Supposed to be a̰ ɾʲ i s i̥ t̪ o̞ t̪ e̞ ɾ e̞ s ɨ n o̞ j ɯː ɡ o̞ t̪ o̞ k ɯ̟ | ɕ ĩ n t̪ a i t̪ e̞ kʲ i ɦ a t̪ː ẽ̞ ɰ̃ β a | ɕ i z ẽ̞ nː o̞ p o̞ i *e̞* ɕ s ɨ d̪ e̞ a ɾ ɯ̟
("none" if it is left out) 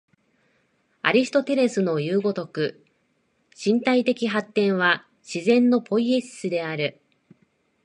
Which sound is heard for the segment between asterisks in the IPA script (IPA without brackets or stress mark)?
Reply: e̞